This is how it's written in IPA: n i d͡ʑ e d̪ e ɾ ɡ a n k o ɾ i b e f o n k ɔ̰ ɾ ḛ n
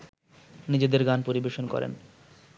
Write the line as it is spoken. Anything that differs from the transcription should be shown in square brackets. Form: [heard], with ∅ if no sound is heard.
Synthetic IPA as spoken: n i d͡ʑ e d̪ e ɾ ɡ a n [p] o ɾ i b e [ʃ] o n k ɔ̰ ɾ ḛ n

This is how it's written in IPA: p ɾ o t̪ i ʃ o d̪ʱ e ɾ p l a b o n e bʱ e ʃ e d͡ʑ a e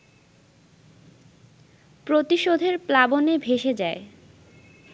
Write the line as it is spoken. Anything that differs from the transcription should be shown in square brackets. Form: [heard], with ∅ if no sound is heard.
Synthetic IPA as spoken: p ɾ o t̪ i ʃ o d̪ʱ e ɾ p l a b o n e bʱ e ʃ e d͡ʑ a e

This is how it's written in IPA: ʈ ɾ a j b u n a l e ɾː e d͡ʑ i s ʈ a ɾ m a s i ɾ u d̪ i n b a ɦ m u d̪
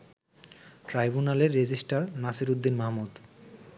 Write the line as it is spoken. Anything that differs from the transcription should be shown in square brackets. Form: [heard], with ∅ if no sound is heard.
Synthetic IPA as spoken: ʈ ɾ a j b u n a l e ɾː e d͡ʑ i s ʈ a ɾ [n] a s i ɾ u [d̪ː] i n [m] a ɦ m u d̪

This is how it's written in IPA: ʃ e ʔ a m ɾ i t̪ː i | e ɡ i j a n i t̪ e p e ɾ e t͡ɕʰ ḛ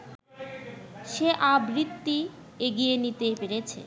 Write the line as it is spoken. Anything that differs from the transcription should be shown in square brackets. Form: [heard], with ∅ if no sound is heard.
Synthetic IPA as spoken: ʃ e ʔ a [b] ɾ i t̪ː i | e ɡ i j [e] n i t̪ e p e ɾ e t͡ɕʰ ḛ

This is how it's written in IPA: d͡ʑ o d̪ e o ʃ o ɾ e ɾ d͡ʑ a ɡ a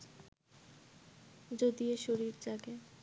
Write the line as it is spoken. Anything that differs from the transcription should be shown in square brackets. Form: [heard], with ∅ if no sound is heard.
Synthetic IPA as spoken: d͡ʑ o d̪ [i] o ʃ o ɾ [i] ɾ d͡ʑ a ɡ [e]

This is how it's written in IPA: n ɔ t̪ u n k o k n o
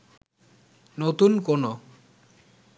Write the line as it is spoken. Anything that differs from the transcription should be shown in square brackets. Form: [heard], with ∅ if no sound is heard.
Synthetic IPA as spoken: n [o] t̪ u n k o [∅] n o

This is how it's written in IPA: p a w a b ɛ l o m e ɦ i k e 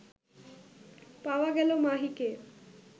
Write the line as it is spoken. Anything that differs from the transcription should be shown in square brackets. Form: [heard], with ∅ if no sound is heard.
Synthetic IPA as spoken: p a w a [ɡ] ɛ l o m [a] ɦ i k e

